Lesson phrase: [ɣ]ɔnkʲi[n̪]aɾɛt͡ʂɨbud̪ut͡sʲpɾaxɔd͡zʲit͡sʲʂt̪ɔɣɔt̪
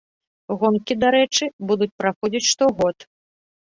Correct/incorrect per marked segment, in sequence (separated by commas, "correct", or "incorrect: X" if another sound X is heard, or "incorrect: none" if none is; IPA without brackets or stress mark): correct, incorrect: d̪